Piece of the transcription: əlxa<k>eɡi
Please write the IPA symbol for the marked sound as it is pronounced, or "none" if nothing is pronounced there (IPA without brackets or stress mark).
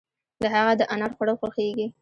x